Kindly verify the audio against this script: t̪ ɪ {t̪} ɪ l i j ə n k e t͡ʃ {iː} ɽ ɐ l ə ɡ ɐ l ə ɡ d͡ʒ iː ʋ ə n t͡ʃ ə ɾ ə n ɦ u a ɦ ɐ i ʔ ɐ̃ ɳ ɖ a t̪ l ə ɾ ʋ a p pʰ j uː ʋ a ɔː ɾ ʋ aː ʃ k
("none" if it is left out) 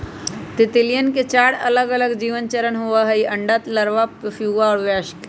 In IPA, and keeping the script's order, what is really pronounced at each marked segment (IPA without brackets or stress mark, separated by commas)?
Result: t̪, aː